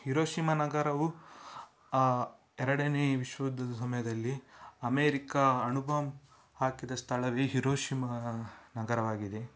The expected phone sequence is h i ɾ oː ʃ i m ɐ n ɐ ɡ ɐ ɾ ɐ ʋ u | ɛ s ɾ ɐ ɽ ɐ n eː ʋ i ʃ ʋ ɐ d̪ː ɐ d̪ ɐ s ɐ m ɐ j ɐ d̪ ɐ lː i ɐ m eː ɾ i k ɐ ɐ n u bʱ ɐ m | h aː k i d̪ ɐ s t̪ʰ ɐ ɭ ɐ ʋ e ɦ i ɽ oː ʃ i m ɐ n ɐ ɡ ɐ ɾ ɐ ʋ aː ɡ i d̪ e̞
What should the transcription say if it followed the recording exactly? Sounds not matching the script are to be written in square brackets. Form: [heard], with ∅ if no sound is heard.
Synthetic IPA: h i ɾ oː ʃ i m ɐ n ɐ ɡ ɐ ɾ ɐ ʋ u | ɛ [∅] ɾ ɐ ɽ ɐ n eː ʋ i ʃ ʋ ɐ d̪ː ɐ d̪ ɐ s ɐ m ɐ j ɐ d̪ ɐ lː i ɐ m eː ɾ i k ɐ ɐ n u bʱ ɐ m | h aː k i d̪ ɐ s t̪ʰ ɐ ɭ ɐ ʋ e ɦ i [ɾ] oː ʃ i m ɐ n ɐ ɡ ɐ ɾ ɐ ʋ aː ɡ i d̪ e̞

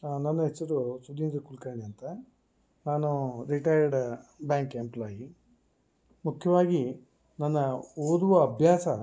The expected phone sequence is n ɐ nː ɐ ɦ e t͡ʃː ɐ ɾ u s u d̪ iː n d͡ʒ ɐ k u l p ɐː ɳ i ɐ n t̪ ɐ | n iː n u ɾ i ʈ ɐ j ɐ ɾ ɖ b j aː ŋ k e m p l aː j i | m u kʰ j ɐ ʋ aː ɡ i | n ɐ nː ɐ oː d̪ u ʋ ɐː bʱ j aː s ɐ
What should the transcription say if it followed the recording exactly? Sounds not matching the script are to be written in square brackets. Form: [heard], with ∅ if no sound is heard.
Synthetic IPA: n ɐ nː ɐ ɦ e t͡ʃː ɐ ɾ u s u d̪ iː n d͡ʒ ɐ k u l [k] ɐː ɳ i ɐ n t̪ ɐ | n [aː] n u ɾ i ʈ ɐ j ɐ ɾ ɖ b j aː ŋ k e m p l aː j i | m u kʰ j ɐ ʋ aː ɡ i | n ɐ nː ɐ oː d̪ u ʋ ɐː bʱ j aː s ɐ

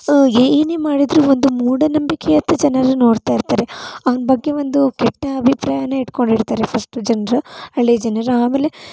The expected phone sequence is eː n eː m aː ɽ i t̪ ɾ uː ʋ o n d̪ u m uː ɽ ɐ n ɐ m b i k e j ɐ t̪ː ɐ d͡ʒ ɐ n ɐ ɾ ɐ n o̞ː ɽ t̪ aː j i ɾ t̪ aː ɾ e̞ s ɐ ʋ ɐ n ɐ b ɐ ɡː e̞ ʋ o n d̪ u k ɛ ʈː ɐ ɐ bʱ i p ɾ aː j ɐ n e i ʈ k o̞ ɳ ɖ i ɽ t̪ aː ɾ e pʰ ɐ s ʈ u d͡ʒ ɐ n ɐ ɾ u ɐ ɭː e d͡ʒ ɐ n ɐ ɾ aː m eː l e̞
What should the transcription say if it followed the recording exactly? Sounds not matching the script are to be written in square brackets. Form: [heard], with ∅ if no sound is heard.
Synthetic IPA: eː n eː m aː ɽ i [d̪] ɾ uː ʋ o n d̪ u m uː ɽ ɐ n ɐ m b i k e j ɐ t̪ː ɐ d͡ʒ ɐ n ɐ ɾ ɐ n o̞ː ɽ t̪ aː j i ɾ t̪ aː ɾ e̞ [∅] ɐ ʋ ɐ n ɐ b ɐ ɡː e̞ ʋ o n d̪ u k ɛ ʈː ɐ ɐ bʱ i p ɾ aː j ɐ n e i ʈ k o̞ ɳ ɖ i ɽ t̪ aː ɾ e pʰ ɐ s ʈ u d͡ʒ ɐ n ɐ ɾ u ɐ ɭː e d͡ʒ ɐ n ɐ ɾ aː m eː l e̞

